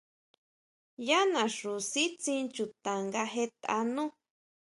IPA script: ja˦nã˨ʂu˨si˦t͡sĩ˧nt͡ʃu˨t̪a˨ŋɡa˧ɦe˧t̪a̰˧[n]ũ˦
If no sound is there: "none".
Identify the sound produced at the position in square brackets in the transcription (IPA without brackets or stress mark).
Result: n